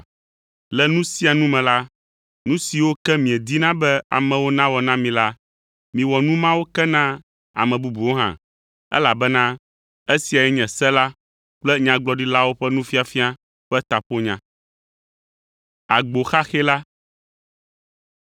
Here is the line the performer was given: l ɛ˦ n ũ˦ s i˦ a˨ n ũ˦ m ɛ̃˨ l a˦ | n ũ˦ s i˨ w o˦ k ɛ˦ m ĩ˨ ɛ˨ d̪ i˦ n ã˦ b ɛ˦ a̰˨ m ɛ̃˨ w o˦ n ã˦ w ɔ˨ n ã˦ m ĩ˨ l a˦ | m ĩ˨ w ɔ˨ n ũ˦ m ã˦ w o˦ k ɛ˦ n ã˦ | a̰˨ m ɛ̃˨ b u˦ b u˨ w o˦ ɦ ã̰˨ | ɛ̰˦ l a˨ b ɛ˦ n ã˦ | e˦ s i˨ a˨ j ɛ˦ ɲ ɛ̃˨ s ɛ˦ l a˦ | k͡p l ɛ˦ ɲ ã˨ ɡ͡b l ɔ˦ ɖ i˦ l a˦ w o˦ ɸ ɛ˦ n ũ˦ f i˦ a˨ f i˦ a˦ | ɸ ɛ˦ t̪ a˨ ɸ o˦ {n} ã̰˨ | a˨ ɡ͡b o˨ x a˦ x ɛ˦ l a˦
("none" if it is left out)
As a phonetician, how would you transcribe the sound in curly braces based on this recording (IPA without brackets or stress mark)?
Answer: ɲ